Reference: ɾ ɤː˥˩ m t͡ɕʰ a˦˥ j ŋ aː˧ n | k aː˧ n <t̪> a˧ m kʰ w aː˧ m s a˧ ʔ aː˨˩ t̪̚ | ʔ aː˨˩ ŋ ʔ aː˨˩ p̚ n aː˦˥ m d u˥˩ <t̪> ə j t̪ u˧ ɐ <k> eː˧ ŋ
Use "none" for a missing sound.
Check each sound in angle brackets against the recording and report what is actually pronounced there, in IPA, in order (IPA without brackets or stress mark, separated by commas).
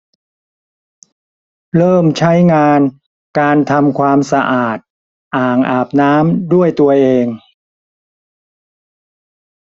t̪ʰ, none, ʔ